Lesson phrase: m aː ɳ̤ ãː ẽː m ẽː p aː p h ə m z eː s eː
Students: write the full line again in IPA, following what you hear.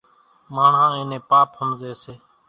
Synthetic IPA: m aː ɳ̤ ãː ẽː n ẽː p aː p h ə m z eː s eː